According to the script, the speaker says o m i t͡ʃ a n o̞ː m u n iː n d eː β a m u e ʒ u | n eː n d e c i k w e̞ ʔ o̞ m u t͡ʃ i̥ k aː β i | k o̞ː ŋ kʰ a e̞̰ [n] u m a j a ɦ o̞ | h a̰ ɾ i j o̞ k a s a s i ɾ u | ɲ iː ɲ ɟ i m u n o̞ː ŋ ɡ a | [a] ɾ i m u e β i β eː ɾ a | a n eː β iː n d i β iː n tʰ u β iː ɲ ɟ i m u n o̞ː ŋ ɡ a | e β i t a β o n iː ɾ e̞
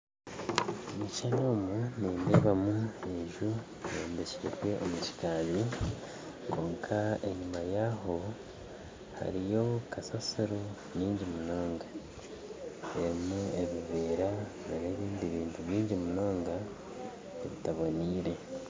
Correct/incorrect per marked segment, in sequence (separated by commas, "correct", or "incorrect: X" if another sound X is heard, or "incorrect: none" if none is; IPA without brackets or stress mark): incorrect: ɲ, incorrect: e